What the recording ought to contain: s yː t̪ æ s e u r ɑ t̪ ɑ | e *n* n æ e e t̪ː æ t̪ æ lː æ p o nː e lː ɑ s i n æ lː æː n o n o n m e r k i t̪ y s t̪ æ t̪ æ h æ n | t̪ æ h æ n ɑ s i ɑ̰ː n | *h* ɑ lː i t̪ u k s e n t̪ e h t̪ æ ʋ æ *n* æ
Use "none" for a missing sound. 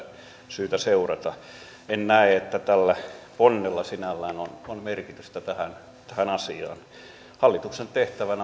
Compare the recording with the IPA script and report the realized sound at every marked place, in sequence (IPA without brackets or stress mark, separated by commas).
n, h, n